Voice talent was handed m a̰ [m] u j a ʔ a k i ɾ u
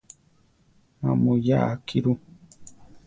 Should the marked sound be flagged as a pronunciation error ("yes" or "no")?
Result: no